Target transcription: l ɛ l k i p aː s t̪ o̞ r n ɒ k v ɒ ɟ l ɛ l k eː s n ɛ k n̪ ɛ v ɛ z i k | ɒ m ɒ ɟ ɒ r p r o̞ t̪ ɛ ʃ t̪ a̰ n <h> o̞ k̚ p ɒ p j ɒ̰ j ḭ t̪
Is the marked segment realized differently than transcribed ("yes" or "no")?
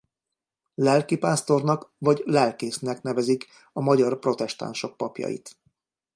yes